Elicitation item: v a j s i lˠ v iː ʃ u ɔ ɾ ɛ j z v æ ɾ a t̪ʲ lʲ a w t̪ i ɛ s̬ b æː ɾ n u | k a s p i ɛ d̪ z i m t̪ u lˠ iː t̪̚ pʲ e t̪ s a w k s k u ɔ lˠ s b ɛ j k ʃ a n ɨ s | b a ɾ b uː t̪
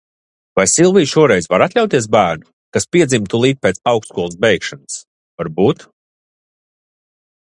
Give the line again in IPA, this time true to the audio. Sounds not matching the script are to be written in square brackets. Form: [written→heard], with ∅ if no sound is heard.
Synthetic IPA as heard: v a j s i lˠ v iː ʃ u ɔ ɾ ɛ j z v [æ→a] ɾ a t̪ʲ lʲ a w t̪ i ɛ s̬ b æː ɾ n u | k a s p i ɛ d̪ z i m t̪ u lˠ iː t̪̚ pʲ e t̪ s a w k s k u ɔ lˠ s b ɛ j k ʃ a n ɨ s | [b→v] a ɾ b uː t̪